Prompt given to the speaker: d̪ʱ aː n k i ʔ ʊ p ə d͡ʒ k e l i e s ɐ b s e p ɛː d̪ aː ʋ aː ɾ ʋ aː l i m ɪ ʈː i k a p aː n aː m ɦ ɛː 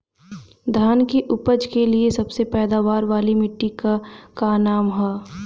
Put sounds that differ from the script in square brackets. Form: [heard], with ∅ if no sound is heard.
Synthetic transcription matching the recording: d̪ʱ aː n k i ʔ ʊ p ə d͡ʒ k e l i e s ɐ b s e p ɛː d̪ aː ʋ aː ɾ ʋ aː l i m ɪ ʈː i k a [k] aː n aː m ɦ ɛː